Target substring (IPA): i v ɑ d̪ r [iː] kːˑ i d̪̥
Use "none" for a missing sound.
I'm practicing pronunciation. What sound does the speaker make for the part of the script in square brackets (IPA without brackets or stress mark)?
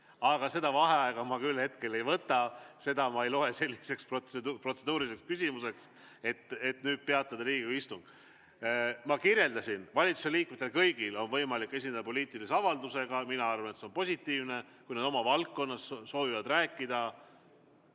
æː